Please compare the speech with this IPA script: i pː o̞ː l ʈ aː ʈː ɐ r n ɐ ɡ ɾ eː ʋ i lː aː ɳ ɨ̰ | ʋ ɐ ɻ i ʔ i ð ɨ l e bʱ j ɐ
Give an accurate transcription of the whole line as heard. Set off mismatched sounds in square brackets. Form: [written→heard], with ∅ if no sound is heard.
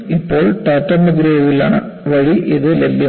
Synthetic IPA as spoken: i pː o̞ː [l→ɭ] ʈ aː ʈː ɐ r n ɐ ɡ ɾ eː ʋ i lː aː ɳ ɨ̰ | ʋ ɐ ɻ i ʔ i ð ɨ l e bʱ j ɐ